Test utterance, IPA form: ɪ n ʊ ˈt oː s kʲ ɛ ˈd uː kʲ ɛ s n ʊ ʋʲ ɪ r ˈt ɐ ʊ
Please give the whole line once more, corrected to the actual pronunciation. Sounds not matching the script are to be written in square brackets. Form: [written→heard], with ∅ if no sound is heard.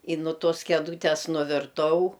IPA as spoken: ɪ n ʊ ˈt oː s kʲ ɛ ˈd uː [kʲ→tʲ] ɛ s n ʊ ʋʲ ɪ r ˈt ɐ ʊ